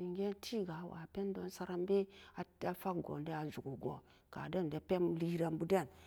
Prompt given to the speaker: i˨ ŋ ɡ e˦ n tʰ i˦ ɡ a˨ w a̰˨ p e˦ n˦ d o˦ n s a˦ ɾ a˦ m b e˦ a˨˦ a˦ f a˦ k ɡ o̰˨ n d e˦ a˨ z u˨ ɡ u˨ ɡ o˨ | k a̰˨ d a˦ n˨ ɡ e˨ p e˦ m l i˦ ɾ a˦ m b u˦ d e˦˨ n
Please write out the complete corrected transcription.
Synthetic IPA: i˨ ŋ ɡ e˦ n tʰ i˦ ɡ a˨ w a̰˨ p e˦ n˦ d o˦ n s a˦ ɾ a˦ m b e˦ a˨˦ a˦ f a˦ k ɡ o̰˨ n d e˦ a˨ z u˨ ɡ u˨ ɡ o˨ | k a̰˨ d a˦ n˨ d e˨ p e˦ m l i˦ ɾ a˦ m b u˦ d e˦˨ n